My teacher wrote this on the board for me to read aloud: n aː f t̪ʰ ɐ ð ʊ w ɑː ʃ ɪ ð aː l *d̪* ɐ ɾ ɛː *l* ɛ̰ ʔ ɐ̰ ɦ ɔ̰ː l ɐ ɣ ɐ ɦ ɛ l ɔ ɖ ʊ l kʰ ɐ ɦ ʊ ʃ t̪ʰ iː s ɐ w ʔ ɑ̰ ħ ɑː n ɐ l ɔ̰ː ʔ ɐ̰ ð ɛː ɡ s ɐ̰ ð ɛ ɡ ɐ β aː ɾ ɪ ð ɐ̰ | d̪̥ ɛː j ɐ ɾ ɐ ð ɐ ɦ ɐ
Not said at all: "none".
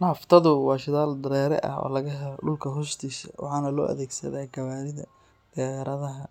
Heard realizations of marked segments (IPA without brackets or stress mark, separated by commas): d̪, ɾ